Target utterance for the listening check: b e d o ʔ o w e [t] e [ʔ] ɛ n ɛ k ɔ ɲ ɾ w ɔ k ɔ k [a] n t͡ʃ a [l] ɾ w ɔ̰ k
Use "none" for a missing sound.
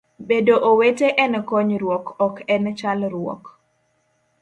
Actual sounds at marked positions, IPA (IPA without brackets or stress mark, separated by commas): t, ʔ, ɛ, l